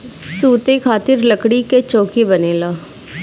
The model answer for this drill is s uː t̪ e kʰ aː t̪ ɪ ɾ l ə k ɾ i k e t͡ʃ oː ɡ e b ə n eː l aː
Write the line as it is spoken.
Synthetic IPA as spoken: s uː t̪ e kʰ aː t̪ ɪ ɾ l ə k ɽ i k e t͡ʃ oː k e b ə n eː l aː